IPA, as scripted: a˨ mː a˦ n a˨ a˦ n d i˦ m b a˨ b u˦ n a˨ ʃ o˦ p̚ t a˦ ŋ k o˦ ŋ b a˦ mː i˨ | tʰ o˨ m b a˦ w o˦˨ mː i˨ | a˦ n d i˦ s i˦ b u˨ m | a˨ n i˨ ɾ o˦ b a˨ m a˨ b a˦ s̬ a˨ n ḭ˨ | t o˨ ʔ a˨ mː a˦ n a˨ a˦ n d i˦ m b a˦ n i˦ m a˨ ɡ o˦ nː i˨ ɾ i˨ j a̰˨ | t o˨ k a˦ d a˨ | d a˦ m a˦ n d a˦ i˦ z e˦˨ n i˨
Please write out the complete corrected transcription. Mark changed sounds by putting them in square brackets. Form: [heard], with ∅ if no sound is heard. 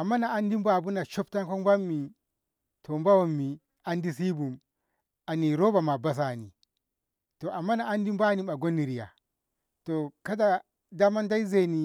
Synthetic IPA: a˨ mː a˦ n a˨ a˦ n d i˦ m b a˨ b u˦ n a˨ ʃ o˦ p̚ t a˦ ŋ k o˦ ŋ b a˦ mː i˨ | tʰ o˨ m b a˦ w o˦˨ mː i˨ | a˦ n d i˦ s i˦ b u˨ m | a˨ n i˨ ɾ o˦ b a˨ m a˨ b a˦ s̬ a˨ n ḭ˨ | t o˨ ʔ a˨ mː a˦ n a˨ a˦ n d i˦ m b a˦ n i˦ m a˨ ɡ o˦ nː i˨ ɾ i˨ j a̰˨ | t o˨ k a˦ d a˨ | d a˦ m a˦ n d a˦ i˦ z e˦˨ n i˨

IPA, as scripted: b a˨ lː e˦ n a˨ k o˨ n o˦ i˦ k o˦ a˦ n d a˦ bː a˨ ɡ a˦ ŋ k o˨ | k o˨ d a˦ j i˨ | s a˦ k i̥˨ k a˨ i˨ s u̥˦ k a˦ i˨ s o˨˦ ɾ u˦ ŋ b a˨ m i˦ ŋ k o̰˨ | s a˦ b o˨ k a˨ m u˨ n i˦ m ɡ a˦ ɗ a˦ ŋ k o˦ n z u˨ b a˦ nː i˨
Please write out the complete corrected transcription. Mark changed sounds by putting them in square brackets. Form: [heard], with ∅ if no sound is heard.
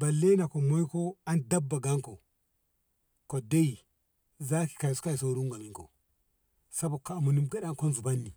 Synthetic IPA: b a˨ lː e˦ n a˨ k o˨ [m] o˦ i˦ k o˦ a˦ n d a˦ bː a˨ ɡ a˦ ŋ k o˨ | k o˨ d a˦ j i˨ | [z] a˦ k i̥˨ k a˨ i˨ s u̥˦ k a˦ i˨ s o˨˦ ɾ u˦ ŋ [ɡ] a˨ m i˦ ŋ k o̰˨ | s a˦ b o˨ k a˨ m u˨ n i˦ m ɡ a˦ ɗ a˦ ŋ k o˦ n z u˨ b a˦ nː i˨

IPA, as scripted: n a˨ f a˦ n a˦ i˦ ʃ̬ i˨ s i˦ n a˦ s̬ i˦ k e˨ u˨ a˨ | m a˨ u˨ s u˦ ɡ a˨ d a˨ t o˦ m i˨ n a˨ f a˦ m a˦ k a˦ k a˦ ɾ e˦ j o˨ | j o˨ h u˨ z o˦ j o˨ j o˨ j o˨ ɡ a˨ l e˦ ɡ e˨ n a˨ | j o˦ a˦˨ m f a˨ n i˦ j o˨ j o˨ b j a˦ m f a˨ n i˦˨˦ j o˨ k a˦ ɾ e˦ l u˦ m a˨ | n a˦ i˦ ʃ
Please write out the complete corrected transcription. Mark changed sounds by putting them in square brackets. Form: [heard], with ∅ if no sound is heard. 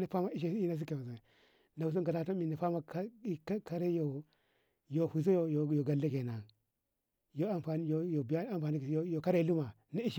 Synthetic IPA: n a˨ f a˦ [m] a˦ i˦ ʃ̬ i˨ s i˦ n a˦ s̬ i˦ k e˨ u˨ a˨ | [n] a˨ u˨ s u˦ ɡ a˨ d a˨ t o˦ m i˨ n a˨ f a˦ m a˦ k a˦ k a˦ ɾ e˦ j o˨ | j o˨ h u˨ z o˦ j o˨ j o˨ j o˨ ɡ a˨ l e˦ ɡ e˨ n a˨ | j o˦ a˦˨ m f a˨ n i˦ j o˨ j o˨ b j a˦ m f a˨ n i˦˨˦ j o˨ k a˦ ɾ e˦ l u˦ m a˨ | n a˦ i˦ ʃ

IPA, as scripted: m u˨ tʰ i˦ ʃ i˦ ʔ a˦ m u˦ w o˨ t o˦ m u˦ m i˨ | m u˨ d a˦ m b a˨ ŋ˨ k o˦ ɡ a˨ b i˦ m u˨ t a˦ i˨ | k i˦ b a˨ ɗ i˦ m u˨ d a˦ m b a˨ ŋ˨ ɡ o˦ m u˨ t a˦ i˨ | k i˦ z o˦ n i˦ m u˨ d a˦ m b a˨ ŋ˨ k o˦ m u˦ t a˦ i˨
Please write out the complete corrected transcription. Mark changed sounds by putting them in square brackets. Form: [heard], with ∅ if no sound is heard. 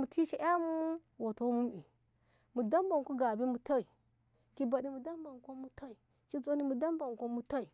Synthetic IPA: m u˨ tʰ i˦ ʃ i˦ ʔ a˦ m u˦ w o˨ t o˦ m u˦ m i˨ | m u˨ d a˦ m b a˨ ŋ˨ k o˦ ɡ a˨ b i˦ m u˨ t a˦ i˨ | k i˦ b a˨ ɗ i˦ m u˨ d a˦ m b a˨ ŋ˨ [k] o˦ m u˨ t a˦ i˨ | k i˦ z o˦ n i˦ m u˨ d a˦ m b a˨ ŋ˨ k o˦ m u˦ t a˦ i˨

